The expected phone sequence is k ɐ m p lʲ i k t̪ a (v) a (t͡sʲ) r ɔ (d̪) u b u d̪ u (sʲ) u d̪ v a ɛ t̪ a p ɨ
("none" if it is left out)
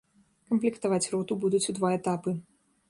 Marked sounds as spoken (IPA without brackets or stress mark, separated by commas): v, t͡sʲ, t̪, t͡sʲ